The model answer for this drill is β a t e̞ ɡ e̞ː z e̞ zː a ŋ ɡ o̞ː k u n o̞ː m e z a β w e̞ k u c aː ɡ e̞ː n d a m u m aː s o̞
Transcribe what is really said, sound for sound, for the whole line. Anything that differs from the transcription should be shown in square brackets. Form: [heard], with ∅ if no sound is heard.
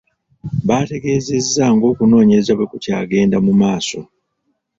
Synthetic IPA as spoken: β a t e̞ ɡ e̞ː z e̞ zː a ŋ ɡ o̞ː k u n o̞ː [ɲ] e z a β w e̞ k u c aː ɡ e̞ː n d a m u m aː s o̞